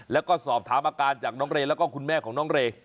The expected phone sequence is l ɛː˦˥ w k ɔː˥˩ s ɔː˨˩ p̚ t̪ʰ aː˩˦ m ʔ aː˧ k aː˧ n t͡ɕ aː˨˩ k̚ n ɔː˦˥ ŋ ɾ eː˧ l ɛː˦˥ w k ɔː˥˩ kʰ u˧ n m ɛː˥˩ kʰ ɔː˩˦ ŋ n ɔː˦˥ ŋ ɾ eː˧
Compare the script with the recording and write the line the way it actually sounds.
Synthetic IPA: l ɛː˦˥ w k ɔː˥˩ s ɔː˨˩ p̚ t̪ʰ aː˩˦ m ʔ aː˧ k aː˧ n t͡ɕ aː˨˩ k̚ n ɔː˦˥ ŋ ɾ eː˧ l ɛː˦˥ w k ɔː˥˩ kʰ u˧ n m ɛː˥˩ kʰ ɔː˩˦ ŋ n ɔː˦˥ ŋ ɾ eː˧

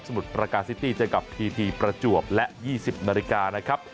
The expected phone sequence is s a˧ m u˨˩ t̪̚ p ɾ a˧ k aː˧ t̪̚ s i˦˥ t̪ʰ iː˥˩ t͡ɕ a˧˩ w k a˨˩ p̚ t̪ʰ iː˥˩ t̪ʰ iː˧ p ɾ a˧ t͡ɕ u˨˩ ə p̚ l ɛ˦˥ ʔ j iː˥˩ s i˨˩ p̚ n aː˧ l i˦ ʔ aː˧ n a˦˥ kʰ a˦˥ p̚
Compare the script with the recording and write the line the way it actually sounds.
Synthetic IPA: s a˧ m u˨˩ t̪̚ p ɾ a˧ k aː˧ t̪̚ s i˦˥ t̪ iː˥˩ t͡ɕ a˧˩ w k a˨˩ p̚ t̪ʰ iː˧ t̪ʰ iː˧ p ɾ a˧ t͡ɕ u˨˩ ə p̚ l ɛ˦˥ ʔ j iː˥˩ s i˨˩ p̚ n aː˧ l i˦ k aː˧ n a˦˥ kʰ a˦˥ p̚

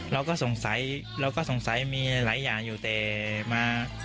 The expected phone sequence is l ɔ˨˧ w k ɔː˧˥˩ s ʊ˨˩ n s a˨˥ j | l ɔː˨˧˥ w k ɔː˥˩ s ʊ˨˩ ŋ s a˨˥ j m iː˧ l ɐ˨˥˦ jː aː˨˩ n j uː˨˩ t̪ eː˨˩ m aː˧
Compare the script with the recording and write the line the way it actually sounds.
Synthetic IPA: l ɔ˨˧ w k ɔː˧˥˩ s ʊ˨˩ ŋ s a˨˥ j | l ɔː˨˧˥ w k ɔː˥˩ s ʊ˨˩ ŋ s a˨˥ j m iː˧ l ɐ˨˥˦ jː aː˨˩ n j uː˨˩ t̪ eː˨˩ m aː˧

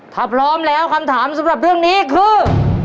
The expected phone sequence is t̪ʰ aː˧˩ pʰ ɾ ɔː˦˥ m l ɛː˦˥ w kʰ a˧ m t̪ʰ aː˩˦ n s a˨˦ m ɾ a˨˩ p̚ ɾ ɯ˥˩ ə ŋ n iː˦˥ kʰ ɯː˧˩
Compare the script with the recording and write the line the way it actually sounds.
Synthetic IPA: t̪ʰ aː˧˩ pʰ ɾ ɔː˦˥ m l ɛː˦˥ w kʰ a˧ m t̪ʰ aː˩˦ m s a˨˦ m ɾ a˨˩ p̚ ɾ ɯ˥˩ ə ŋ n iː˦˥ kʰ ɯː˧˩

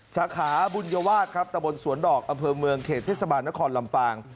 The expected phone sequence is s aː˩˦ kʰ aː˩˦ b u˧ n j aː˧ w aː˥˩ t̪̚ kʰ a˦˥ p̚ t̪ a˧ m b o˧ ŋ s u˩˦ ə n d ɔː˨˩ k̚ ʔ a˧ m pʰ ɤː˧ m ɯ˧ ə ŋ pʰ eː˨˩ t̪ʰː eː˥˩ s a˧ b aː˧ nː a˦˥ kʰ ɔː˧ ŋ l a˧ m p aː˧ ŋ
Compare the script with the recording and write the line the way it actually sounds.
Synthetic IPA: s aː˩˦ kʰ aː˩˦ b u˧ n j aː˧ w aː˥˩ t̪̚ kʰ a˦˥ p̚ t̪ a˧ m b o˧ n s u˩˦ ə n d ɔː˨˩ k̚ ʔ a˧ m pʰ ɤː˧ m ɯ˧ ə ŋ kʰ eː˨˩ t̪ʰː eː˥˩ s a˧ b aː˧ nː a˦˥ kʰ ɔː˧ n l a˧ m p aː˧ ŋ

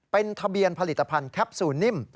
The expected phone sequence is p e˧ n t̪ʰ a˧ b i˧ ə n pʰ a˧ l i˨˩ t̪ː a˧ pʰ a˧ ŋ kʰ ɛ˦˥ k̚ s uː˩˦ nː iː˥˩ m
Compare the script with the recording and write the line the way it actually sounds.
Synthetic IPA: p e˧ n t̪ʰ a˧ b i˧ ə n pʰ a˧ l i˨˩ t̪ː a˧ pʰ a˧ n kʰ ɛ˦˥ p̚ s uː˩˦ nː i˥˩ m

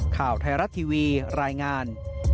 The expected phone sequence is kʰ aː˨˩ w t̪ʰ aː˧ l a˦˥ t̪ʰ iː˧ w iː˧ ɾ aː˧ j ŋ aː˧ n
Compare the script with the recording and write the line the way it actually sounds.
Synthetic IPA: kʰ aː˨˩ w t̪ʰ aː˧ ɾ a˦˥ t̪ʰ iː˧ w iː˧ ɾ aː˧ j ŋ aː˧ n

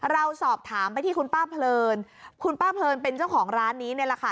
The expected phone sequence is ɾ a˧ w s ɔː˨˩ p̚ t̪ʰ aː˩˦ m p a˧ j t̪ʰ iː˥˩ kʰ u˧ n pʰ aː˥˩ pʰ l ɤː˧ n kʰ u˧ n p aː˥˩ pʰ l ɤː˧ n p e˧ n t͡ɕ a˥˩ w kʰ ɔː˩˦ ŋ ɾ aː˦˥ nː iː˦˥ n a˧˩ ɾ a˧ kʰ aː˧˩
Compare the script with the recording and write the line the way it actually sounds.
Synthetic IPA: ɾ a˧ w s ɔː˨˩ p̚ t̪ʰ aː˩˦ m p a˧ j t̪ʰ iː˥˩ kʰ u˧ n p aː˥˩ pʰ l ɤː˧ n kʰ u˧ n p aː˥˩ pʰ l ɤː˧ n p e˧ n t͡ɕ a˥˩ w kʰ ɔː˩˦ ŋ ɾ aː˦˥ nː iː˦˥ n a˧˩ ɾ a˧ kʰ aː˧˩

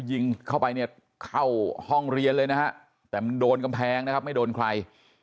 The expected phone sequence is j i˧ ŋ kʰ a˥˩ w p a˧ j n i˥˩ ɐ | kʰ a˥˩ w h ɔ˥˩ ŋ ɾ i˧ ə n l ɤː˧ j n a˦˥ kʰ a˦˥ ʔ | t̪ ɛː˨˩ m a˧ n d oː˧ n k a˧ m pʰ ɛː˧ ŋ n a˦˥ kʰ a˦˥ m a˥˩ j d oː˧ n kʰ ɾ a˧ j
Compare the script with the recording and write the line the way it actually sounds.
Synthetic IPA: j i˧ ŋ kʰ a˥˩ w p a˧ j n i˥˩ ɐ | kʰ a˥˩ w h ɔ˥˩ ŋ ɾ i˧ ə n l ɤː˧ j n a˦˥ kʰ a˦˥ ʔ | t̪ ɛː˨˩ m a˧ n d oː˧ n k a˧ m pʰ ɛː˧ ŋ n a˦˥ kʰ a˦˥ m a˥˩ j d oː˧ n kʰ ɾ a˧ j

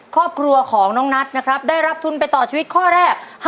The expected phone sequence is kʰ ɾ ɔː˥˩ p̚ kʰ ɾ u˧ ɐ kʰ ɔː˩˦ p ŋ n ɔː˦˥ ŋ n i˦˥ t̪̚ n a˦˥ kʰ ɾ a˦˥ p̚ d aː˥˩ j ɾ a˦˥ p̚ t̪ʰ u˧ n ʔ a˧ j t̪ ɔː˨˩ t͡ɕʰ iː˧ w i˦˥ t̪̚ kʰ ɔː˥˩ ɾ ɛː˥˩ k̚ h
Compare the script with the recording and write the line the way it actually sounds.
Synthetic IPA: kʰ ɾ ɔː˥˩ p̚ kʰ ɾ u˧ ɐ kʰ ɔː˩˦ ŋ n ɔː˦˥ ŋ n a˦˥ t̪̚ n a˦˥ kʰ ɾ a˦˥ p̚ d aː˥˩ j ɾ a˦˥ p̚ t̪ʰ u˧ n p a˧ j t̪ ɔː˨˩ t͡ɕʰ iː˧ w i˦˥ t̪̚ kʰ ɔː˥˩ ɾ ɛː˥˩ k̚ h

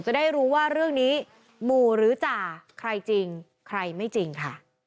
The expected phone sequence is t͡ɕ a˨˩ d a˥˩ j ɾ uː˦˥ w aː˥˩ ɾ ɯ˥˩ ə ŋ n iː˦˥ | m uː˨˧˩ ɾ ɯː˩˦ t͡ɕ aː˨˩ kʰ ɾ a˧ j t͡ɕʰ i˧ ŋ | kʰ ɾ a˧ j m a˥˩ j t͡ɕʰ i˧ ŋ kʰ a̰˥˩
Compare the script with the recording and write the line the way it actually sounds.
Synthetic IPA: t͡ɕ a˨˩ d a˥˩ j ɾ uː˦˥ w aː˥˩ ɾ ɯ˥˩ ə ŋ n iː˦˥ | m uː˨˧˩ ɾ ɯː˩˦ t͡ɕ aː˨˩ kʰ ɾ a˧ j t͡ɕ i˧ ŋ | kʰ ɾ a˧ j m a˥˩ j t͡ɕ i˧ ŋ kʰ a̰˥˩

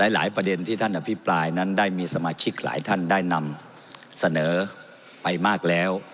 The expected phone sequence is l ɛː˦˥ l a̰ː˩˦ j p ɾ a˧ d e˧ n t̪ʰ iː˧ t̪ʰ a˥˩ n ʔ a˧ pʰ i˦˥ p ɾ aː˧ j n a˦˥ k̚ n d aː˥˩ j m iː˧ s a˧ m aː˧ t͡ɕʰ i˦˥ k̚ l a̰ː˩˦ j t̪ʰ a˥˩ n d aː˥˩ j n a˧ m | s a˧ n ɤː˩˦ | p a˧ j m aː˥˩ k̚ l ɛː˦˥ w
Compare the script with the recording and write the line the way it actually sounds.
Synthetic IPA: l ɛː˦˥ l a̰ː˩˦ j p ɾ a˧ d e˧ n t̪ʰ iː˥˩ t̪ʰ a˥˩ n ʔ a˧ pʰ i˦˥ p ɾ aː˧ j n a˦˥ n d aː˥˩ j m iː˧ s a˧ m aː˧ t͡ɕʰ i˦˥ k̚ l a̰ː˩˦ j t̪ʰ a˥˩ n d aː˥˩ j n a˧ m | s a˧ n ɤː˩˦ | p a˧ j m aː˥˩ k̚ l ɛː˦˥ w

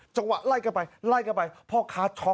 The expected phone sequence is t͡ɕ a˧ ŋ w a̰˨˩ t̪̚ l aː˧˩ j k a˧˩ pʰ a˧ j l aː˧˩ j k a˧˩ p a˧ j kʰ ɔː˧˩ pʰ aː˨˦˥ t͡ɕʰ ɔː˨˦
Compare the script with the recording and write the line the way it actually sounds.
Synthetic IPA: t͡ɕ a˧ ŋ w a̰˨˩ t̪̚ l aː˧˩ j k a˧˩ p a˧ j l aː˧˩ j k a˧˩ p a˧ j pʰ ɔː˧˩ kʰ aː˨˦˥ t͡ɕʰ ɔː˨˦

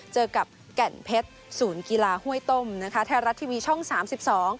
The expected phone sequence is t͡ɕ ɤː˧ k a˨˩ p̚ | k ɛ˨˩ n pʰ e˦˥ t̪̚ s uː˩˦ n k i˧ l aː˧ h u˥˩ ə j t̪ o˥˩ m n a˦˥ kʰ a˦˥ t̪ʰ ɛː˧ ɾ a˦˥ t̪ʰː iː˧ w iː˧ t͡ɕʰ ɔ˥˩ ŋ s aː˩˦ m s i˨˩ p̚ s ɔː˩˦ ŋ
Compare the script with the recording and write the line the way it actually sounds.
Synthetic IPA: t͡ɕ ɤː˧ k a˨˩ p̚ | k ɛ˨˩ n pʰ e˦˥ t̪̚ s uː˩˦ n k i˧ l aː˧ h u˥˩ ə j t̪ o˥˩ m n a˦˥ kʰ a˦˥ t̪ʰ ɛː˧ ɾ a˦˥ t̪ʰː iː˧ w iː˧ t͡ɕʰ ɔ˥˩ ŋ s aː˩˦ m s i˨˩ p̚ s ɔː˩˦ ŋ

